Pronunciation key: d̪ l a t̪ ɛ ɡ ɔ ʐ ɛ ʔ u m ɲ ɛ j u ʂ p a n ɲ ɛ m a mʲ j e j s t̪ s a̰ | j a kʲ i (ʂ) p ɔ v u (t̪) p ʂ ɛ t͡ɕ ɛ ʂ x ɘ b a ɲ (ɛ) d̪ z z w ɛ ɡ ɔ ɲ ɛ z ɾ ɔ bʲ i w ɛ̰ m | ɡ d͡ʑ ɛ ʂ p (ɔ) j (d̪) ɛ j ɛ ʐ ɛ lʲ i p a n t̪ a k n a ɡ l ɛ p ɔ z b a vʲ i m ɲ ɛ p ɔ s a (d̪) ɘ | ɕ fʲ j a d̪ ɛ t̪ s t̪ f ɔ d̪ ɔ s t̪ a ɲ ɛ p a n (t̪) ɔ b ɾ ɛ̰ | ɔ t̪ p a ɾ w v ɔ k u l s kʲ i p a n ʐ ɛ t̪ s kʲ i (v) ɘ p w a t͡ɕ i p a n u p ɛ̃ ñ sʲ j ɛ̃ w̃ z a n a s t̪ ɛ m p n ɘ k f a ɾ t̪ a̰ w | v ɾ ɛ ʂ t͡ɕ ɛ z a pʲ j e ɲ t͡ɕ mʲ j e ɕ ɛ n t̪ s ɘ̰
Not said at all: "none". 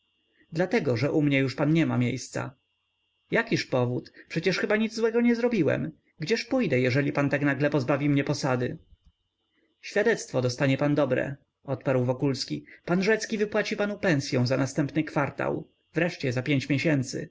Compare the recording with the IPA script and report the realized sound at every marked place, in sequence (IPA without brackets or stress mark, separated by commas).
ʂ, t̪, i, u, d̪, d̪, d̪, v